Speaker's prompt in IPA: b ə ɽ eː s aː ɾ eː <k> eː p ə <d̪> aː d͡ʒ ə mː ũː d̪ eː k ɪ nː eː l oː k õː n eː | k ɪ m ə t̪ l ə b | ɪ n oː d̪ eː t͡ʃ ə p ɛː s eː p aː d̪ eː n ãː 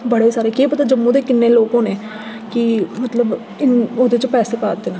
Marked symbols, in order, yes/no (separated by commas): yes, no